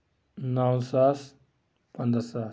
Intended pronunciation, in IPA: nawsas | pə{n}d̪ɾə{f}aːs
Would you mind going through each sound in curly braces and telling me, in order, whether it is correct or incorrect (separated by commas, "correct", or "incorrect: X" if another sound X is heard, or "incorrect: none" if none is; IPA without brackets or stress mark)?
correct, incorrect: s